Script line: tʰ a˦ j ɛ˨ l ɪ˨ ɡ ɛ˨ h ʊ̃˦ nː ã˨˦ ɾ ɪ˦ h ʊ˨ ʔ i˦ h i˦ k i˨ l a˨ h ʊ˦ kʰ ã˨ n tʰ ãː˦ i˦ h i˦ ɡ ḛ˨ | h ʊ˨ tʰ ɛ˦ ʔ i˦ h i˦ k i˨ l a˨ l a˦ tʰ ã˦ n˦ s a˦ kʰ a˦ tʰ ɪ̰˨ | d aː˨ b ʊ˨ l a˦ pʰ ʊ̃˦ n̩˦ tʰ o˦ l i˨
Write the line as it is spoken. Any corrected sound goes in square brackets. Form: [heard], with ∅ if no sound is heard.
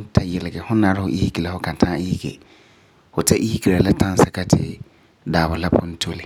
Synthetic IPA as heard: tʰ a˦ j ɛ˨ l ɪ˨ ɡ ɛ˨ h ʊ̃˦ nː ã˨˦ ɾ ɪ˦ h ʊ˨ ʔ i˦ h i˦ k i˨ l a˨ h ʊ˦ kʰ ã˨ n tʰ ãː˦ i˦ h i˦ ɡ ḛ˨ | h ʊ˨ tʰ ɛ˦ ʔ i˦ h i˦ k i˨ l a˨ l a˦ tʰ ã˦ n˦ s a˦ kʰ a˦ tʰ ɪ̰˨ | d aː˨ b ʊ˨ l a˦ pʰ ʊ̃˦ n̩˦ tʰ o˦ l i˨